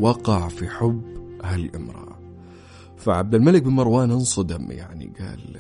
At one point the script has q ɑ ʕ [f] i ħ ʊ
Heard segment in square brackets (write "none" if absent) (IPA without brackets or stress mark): f